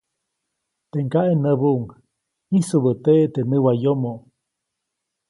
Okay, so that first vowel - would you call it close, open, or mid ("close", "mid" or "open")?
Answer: mid